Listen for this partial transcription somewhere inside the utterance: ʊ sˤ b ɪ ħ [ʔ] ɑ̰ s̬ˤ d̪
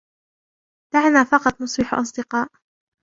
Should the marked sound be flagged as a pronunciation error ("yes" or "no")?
no